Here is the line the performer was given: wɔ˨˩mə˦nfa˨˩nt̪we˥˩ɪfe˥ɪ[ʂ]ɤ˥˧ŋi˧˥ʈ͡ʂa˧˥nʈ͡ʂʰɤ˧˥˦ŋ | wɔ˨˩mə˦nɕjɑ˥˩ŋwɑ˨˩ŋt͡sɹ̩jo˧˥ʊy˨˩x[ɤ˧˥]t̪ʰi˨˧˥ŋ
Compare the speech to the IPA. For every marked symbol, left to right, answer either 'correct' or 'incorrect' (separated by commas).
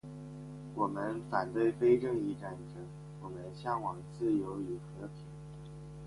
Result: incorrect, correct